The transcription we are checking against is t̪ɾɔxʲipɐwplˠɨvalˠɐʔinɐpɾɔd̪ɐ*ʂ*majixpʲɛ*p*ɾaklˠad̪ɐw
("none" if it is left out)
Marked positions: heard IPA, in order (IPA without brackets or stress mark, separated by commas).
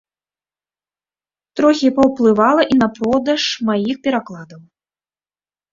ʂ, none